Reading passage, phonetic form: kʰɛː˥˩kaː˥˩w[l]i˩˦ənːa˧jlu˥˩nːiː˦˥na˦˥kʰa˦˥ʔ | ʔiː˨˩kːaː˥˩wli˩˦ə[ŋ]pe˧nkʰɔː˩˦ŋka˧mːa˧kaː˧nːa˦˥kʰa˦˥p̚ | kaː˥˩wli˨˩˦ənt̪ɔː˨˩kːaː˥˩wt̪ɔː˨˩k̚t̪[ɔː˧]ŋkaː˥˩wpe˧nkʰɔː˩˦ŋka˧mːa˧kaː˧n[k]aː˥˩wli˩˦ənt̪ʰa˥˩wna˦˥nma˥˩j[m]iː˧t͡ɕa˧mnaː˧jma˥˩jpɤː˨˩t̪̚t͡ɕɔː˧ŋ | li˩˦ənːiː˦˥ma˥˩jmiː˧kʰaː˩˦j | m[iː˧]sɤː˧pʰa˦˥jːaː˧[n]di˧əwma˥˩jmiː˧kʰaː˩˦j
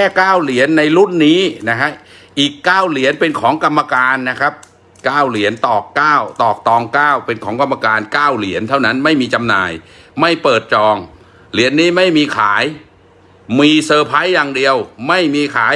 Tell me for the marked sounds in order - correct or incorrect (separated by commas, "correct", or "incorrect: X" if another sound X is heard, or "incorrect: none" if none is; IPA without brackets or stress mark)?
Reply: correct, incorrect: n, correct, correct, correct, correct, incorrect: ŋ